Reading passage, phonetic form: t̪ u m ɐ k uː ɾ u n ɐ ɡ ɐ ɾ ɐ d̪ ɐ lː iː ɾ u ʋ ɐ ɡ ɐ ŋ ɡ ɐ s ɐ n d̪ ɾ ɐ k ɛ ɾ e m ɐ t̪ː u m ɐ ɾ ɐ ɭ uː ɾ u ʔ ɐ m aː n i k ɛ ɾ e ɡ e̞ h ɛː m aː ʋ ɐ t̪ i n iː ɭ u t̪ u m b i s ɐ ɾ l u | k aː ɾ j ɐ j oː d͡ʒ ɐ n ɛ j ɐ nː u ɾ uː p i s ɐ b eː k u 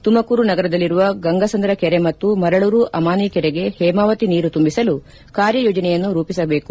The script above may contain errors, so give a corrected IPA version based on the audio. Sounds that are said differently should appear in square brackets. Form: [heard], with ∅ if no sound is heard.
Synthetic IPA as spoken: t̪ u m ɐ k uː ɾ u n ɐ ɡ ɐ ɾ ɐ d̪ ɐ lː [i] ɾ u ʋ ɐ ɡ ɐ ŋ ɡ ɐ s ɐ n d̪ ɾ ɐ k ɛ ɾ e m ɐ t̪ː u m ɐ ɾ ɐ ɭ uː ɾ u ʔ ɐ m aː n i k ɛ ɾ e ɡ e̞ h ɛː m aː ʋ ɐ t̪ i n iː [ɾ] u t̪ u m b i s ɐ [∅] l u | k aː ɾ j ɐ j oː d͡ʒ ɐ n ɛ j ɐ nː u ɾ uː p i s ɐ b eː k u

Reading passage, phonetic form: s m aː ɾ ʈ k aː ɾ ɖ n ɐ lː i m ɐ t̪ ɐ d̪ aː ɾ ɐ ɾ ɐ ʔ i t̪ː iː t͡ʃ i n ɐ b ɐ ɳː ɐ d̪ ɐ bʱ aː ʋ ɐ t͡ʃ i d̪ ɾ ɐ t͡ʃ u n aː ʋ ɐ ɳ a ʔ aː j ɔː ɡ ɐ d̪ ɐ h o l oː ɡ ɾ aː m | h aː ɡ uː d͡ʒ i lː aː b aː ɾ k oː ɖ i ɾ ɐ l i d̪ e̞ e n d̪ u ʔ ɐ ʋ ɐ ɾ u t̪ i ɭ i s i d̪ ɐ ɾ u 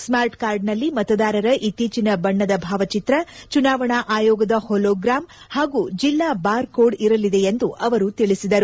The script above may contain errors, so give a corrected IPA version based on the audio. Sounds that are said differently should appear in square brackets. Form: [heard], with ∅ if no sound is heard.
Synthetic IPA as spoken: s m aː ɾ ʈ k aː ɾ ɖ n ɐ lː i m ɐ t̪ ɐ d̪ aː ɾ ɐ ɾ ɐ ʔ i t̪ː iː t͡ʃ i n ɐ b ɐ ɳː ɐ d̪ ɐ bʱ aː ʋ ɐ t͡ʃ i [t̪] ɾ ɐ t͡ʃ u n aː ʋ ɐ ɳ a ʔ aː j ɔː ɡ ɐ d̪ ɐ h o l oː ɡ ɾ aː m | h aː ɡ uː d͡ʒ i lː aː b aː ɾ k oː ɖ i ɾ ɐ l i d̪ e̞ e n d̪ u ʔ ɐ ʋ ɐ ɾ u t̪ i ɭ i s i d̪ ɐ ɾ u

